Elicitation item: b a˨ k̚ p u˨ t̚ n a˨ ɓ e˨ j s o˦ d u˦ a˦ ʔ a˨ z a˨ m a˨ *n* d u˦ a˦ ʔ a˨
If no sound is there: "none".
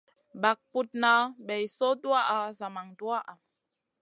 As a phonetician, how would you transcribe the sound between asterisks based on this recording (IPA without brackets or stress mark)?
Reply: ŋ